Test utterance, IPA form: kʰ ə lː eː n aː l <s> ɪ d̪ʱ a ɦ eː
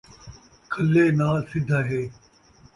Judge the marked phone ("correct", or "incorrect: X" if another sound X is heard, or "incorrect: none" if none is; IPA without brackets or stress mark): correct